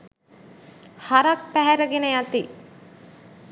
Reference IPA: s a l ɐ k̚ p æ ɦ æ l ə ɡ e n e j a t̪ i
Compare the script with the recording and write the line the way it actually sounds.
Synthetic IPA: h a ɾ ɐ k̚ p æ ɦ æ ɾ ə ɡ e n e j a t̪ i